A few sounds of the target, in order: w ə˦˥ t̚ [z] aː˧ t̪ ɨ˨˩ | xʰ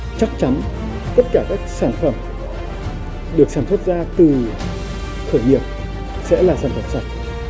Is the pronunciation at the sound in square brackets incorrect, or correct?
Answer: correct